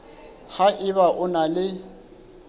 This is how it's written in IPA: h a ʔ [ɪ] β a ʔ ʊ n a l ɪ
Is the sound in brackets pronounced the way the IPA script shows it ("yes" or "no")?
yes